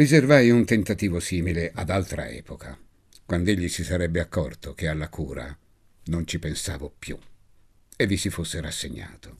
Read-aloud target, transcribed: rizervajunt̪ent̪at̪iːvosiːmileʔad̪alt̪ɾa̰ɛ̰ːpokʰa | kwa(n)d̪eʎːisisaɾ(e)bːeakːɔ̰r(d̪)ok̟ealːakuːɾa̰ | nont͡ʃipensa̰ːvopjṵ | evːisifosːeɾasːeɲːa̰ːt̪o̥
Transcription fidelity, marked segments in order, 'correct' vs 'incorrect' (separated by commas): correct, incorrect, incorrect